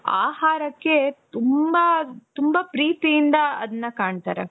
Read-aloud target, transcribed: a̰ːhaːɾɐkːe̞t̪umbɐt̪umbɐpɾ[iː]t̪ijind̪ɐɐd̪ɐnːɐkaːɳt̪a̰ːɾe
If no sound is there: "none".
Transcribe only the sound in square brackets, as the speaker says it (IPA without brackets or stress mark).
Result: iː